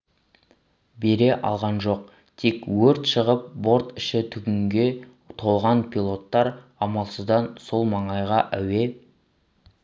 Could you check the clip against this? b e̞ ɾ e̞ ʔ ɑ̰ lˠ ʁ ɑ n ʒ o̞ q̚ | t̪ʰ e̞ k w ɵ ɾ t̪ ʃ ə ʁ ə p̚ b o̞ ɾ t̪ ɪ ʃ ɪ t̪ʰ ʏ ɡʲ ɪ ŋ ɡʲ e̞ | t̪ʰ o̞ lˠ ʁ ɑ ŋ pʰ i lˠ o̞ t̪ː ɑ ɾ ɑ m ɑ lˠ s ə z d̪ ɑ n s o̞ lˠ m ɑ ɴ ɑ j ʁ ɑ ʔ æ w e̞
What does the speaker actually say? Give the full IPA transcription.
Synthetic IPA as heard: b e̞ ɾ e̞ ʔ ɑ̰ lˠ ʁ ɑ n ʒ o̞ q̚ | t̪ʰ e̞ k w ɵ ɾ t̪ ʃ ə ʁ ə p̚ b o̞ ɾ t̪ ɪ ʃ ɪ t̪ʰ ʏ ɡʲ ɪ ŋ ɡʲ e̞ | t̪ʰ o̞ lˠ ʁ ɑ n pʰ i lˠ o̞ t̪ː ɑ ɾ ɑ m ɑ lˠ s ə z d̪ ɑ n s o̞ lˠ m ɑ ɴ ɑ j ʁ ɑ ʔ æ w e̞